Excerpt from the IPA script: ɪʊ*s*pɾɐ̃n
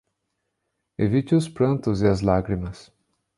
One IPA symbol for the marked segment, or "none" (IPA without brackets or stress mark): s